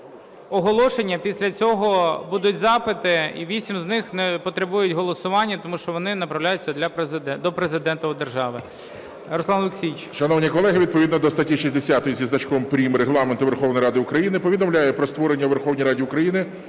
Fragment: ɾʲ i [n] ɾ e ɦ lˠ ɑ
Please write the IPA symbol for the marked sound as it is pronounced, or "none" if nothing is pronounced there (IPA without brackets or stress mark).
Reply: m